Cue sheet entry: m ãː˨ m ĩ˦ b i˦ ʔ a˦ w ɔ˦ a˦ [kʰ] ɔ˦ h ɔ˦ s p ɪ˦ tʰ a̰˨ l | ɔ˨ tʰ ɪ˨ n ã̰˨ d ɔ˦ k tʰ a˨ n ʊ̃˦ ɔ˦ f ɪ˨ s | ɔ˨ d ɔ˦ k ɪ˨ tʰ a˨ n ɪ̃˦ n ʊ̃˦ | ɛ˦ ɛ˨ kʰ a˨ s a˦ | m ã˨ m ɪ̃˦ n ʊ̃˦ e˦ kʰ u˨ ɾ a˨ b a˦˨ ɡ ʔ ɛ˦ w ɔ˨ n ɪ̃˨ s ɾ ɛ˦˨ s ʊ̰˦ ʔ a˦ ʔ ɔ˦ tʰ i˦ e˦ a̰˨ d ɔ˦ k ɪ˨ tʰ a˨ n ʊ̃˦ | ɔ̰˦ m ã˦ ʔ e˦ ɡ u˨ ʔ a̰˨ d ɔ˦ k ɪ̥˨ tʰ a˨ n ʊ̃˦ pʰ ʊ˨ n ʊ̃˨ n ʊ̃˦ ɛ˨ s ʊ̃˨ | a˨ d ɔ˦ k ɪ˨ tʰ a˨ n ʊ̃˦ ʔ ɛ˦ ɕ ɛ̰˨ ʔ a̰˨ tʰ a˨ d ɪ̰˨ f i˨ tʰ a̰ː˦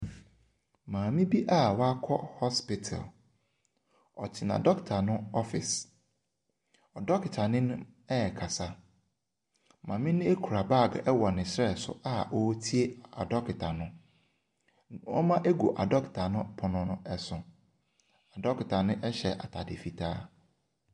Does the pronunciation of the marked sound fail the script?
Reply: no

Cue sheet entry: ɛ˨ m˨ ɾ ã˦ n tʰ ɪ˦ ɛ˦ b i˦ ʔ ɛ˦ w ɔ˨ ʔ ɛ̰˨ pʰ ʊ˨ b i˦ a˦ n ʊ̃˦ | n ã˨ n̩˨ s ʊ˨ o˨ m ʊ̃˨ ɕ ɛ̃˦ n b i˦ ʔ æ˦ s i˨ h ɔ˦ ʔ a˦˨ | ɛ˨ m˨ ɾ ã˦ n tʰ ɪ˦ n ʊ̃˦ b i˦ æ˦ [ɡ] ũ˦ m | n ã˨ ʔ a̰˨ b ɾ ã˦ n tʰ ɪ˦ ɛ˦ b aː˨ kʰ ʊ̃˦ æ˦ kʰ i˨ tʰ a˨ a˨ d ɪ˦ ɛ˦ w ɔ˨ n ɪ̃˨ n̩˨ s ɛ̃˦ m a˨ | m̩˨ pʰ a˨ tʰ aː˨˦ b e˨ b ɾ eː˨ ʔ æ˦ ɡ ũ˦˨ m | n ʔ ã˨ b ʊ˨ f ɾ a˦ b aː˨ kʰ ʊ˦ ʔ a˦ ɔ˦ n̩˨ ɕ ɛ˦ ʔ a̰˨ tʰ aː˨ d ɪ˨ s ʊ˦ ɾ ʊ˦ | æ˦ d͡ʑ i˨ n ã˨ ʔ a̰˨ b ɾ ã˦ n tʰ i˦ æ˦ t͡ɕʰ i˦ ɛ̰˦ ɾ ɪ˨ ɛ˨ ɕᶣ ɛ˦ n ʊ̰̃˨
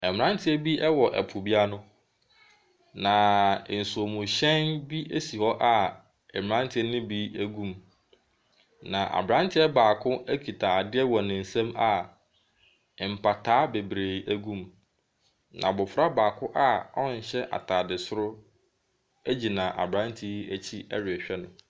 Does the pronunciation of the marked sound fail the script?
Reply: no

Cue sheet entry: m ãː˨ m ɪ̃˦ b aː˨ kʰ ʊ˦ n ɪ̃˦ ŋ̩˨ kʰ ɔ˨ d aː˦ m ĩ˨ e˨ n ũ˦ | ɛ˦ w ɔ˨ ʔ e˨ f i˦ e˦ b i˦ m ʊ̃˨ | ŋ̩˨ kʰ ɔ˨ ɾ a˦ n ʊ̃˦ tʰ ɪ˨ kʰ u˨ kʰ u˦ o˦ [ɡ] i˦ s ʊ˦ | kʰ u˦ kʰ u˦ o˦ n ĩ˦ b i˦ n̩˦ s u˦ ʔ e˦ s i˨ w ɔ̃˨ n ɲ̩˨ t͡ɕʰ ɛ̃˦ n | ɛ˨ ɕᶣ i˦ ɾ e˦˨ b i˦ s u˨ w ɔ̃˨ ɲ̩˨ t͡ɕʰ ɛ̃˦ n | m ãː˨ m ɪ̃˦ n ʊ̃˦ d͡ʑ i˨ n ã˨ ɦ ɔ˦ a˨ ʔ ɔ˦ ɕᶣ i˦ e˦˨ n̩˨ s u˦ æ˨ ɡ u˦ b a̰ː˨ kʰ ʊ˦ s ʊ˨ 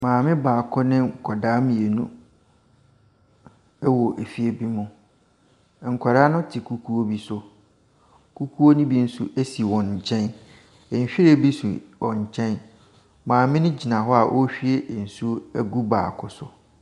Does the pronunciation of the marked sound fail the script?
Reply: yes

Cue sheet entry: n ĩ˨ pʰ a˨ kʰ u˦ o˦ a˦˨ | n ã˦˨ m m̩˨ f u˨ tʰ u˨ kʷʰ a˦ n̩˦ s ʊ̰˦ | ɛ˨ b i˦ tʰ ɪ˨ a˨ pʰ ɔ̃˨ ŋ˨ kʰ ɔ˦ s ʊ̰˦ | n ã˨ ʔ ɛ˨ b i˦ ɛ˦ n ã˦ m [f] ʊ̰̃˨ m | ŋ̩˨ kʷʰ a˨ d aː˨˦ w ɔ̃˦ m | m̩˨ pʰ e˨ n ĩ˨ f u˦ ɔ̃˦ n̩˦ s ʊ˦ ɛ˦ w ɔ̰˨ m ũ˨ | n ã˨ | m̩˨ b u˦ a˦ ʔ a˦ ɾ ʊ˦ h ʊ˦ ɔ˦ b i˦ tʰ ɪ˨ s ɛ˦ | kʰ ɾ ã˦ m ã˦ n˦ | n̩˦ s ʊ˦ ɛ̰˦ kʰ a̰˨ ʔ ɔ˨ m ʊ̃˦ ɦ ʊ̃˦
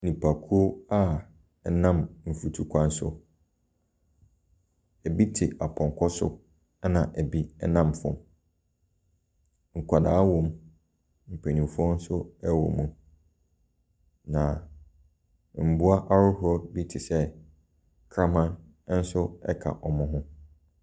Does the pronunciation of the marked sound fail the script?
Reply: no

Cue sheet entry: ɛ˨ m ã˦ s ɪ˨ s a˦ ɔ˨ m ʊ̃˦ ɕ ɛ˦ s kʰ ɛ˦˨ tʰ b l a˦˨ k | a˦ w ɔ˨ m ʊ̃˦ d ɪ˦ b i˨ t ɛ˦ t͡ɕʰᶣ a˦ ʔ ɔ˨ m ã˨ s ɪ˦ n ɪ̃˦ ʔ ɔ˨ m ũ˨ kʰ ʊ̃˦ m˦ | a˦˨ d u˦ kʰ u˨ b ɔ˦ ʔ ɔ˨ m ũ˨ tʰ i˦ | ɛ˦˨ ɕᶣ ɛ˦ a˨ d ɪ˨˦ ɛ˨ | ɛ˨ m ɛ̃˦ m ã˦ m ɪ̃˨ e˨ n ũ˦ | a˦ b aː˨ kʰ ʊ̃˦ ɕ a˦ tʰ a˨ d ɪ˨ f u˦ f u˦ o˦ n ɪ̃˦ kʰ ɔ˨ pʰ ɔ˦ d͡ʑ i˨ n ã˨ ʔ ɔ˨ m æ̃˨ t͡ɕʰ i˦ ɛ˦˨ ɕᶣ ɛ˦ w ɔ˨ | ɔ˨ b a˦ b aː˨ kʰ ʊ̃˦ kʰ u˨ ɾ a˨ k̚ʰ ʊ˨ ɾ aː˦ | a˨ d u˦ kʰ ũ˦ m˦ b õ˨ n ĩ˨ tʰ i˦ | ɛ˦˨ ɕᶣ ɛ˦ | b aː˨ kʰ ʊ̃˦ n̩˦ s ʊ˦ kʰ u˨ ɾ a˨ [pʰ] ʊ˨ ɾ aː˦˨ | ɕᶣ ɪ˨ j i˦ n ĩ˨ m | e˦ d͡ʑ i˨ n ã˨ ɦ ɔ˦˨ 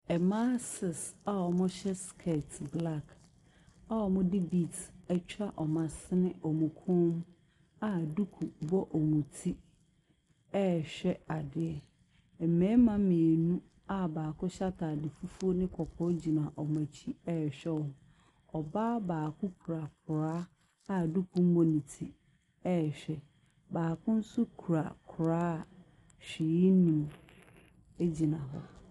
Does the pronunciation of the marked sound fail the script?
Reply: yes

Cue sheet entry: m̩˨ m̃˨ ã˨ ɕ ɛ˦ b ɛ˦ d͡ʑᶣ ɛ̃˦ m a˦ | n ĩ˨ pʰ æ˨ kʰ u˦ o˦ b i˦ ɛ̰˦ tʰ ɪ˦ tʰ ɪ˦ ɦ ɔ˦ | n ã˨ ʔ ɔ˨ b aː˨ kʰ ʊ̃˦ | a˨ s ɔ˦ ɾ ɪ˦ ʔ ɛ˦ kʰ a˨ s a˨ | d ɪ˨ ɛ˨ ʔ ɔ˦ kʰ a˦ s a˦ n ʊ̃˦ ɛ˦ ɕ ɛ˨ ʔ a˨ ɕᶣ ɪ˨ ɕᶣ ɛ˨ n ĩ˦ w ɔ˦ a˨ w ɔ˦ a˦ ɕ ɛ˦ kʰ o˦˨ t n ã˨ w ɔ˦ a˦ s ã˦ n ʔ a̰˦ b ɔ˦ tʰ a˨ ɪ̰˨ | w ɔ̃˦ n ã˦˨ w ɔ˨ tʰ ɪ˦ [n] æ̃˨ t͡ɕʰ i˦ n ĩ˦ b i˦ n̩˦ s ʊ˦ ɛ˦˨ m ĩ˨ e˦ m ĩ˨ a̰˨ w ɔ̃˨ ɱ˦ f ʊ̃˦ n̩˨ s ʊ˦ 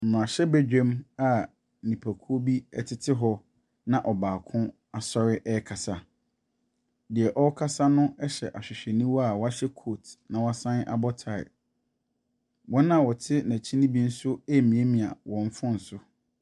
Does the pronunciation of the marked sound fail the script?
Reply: no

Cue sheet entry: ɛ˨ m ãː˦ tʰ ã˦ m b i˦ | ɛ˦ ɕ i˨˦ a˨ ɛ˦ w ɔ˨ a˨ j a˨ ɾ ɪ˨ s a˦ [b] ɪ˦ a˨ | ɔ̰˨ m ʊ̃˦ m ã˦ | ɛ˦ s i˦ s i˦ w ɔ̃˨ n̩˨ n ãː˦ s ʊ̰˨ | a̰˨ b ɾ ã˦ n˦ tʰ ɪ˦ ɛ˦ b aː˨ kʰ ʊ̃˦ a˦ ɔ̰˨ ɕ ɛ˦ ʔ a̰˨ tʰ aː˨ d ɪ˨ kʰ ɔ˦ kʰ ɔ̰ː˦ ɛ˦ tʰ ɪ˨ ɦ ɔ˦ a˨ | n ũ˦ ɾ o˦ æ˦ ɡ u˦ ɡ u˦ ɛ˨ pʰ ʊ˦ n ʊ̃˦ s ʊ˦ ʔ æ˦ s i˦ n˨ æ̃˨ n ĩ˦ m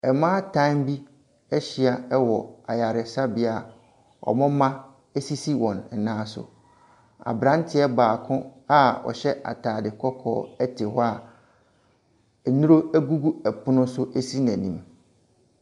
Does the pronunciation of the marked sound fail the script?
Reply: no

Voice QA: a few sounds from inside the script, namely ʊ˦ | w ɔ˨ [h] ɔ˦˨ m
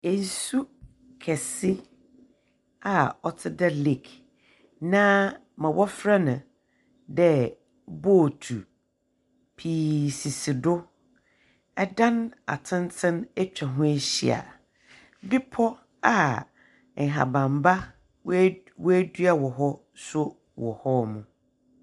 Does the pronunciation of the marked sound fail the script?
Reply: no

